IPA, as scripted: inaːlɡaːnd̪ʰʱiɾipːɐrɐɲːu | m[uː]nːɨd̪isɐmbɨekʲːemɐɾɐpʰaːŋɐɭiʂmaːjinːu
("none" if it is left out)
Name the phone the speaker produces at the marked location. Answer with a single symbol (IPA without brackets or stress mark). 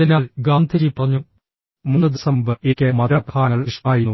u